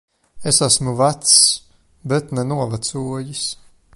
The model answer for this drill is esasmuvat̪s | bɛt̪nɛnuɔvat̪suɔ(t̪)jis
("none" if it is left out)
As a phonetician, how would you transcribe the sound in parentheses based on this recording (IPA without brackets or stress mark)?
none